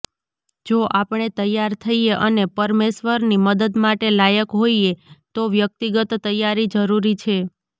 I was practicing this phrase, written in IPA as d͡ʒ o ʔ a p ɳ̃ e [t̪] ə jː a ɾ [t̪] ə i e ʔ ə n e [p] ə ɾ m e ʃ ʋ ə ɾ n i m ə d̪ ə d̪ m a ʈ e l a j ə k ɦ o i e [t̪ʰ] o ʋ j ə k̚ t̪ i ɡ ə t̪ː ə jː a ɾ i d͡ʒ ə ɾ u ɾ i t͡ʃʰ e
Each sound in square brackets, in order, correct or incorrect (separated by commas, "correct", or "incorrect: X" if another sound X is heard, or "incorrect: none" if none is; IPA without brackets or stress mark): correct, incorrect: t̪ʰ, correct, incorrect: t̪